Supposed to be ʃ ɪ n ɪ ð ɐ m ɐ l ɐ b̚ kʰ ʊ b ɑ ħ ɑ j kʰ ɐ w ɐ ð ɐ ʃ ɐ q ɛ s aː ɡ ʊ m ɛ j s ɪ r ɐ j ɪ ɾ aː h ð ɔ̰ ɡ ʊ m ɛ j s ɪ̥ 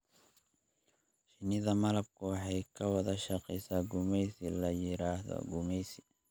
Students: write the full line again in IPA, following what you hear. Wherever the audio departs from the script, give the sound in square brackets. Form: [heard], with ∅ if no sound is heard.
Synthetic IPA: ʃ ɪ n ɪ ð ɐ m ɐ l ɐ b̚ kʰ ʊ [w] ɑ ħ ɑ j kʰ ɐ w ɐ ð ɐ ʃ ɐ q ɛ s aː ɡ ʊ m ɛ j s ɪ [l] ɐ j ɪ ɾ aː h ð ɔ̰ ɡ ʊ m ɛ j s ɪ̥